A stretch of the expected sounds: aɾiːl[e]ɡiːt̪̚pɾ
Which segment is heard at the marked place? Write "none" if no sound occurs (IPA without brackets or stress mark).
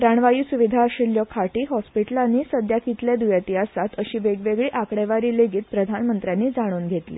e